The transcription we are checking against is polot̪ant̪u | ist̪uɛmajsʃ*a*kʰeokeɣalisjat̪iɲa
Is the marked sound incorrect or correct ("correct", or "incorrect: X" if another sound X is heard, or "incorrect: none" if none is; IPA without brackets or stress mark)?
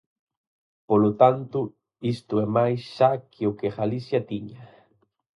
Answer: correct